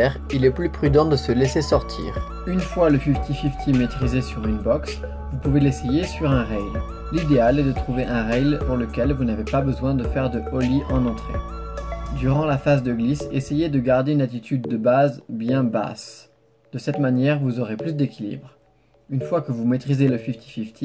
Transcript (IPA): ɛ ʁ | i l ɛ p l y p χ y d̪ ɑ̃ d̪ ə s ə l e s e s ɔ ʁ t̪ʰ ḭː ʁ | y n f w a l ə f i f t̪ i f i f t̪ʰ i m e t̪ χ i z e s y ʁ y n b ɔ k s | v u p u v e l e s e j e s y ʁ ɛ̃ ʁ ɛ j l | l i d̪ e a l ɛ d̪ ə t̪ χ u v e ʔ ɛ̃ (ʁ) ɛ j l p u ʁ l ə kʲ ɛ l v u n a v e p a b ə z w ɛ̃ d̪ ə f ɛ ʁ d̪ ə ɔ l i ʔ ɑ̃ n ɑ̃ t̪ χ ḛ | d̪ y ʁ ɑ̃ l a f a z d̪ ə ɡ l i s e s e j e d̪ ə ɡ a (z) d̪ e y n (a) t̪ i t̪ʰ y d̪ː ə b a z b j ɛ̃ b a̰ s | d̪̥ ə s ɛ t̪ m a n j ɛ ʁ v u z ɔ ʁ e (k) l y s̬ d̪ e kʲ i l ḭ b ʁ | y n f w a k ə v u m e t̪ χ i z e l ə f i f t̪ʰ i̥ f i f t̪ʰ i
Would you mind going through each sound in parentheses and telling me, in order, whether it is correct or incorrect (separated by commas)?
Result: correct, incorrect, correct, incorrect